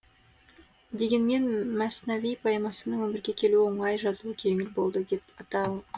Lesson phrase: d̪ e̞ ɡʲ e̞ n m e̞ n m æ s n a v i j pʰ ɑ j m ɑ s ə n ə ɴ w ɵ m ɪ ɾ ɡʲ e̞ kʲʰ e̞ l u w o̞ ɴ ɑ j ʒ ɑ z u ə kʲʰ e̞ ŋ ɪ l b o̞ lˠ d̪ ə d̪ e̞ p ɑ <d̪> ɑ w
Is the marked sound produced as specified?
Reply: no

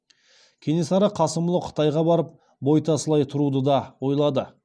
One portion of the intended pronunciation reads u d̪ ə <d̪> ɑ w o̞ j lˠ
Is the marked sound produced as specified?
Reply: yes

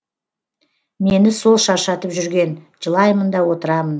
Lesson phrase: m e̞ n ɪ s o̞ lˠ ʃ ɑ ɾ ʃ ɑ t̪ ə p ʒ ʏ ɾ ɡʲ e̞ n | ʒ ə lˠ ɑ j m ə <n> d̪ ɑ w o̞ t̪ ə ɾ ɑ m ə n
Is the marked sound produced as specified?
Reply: yes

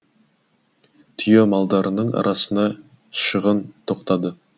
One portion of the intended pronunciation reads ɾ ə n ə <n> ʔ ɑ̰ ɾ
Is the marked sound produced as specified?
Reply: no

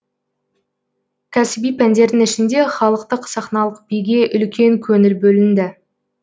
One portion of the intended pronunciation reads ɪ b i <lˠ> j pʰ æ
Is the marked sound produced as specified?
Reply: no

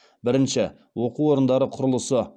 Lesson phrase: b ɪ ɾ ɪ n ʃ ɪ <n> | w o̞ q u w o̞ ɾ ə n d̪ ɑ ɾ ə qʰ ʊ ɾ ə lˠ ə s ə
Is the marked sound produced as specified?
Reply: no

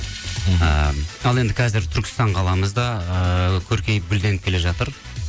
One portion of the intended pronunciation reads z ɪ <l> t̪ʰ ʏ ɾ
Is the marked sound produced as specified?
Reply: no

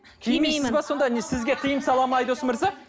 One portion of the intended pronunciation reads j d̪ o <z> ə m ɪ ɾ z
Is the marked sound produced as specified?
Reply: no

